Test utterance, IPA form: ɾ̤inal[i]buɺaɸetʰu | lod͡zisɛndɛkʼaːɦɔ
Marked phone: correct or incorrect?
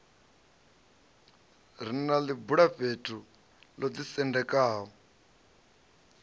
correct